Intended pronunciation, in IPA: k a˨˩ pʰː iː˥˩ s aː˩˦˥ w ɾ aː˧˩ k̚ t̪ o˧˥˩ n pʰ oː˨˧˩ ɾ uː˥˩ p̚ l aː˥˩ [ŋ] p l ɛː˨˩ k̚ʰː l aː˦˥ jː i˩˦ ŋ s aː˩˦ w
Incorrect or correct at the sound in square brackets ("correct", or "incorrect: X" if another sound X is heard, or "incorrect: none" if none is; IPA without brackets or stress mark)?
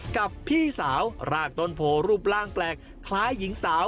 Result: correct